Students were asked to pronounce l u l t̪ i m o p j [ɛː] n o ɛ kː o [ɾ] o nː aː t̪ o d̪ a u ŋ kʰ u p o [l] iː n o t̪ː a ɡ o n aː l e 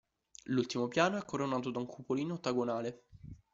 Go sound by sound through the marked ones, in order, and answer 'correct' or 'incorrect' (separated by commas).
incorrect, correct, correct